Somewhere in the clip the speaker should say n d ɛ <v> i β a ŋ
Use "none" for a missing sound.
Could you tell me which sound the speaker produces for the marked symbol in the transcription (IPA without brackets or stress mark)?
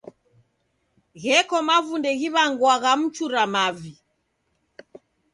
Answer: ɣ